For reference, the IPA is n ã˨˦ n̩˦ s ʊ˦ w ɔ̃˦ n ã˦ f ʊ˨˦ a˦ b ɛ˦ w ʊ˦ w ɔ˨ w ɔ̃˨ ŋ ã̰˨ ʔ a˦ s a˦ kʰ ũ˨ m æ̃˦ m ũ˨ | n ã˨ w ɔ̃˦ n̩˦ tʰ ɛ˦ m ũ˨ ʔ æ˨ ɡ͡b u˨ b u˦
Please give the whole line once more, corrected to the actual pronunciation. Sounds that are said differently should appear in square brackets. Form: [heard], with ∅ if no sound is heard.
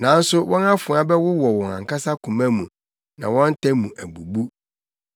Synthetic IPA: n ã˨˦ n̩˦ s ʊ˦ w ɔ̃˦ n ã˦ f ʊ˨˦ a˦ b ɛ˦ w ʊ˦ w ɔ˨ w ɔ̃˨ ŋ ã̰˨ [k] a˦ s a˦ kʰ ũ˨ m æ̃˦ m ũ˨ | n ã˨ w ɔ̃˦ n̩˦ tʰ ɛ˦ m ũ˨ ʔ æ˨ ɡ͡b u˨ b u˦